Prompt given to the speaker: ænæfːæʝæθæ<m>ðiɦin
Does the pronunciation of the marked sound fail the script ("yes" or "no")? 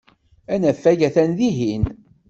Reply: yes